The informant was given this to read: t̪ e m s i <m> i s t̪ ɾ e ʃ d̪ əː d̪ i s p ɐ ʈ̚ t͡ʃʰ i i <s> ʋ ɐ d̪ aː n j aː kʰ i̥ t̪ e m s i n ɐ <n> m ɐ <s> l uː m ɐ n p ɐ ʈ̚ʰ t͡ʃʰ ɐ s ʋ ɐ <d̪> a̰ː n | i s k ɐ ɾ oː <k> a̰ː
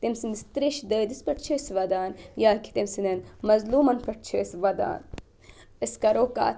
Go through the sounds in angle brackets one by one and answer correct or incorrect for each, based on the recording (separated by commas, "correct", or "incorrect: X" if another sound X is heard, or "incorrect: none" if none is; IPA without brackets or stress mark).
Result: incorrect: n, correct, correct, incorrect: z, correct, correct